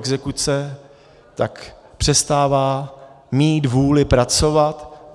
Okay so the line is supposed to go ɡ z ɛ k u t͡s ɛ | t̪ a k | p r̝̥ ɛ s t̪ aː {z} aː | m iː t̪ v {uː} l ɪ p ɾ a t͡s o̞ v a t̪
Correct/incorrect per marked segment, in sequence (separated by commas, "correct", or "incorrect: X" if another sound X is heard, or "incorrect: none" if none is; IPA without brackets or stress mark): incorrect: v, correct